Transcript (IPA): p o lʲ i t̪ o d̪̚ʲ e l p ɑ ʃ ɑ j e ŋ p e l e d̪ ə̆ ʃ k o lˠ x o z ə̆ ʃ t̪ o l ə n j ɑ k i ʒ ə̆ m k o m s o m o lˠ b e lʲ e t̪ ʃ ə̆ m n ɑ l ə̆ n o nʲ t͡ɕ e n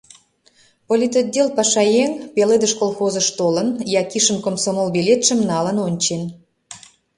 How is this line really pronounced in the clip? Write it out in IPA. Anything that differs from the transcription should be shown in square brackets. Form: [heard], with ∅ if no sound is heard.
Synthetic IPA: p o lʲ i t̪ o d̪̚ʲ e l p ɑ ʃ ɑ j e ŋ p e l e d̪ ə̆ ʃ k o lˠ x o z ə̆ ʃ t̪ o l ə n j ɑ k i [ʃ] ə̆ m k o m s o m o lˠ b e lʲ e t̪ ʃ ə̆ m n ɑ l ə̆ n o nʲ t͡ɕ e n

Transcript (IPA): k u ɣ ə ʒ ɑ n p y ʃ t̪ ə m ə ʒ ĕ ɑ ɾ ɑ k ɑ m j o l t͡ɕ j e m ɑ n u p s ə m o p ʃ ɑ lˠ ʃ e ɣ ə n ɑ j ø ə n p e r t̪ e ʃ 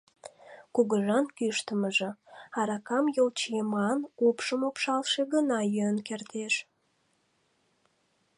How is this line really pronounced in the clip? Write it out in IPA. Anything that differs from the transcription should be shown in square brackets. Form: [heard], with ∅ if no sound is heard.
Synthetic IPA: k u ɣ ə ʒ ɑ n [k] y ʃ t̪ ə m ə ʒ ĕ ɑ ɾ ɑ k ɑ m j o l t͡ɕ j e m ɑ n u p [ʃ] ə m o p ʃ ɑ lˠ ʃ e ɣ ə n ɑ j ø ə n [k] e r t̪ e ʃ

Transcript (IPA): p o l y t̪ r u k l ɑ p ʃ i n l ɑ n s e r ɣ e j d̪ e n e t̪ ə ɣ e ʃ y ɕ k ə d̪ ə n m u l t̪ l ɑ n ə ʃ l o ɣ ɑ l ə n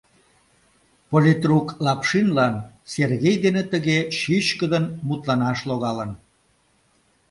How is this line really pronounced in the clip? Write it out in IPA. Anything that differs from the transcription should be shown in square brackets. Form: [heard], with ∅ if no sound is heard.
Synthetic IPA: p o l [i] t̪ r u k l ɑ p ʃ i n l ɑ n s e r ɣ e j d̪ e n e t̪ ə ɣ e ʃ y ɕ k ə d̪ ə n m u [∅] t̪ l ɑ n [ɑ] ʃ l o ɣ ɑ l ə n

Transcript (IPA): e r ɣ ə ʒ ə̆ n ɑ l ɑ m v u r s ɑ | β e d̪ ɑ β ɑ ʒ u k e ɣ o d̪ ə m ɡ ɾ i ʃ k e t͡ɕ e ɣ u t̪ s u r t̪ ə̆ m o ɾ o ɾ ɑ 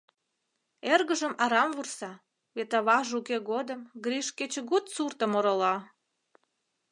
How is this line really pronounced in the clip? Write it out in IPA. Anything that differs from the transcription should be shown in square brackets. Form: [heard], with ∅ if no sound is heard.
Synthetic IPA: e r ɣ ə ʒ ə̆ [m] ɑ [ɾ] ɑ m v u r s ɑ | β e [t̪] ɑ β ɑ ʒ u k e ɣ o d̪ ə m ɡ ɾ i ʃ k e t͡ɕ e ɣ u t̪ s u r t̪ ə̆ m o ɾ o [l] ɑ

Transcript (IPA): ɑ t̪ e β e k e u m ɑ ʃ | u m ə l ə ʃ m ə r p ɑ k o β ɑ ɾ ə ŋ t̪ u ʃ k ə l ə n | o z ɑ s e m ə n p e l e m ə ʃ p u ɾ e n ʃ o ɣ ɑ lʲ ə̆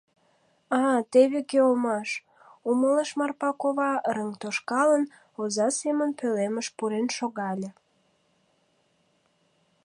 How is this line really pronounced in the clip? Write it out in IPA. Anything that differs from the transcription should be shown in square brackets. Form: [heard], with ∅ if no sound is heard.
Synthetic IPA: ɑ t̪ e β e k e [o] m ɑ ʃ | u m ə l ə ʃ m [ɑ] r p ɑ k o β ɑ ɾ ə ŋ t̪ [o] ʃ k [ɑ] l ə n | o z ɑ s e m ə n p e l e m ə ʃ p u ɾ e n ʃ o ɣ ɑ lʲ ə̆

